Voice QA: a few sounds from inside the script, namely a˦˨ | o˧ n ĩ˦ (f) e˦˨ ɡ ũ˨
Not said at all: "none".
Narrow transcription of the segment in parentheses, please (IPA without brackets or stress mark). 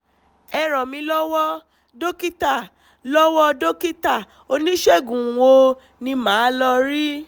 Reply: ʃ